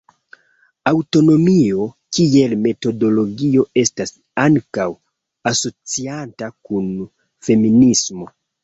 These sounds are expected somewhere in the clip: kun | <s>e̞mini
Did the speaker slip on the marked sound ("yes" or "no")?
yes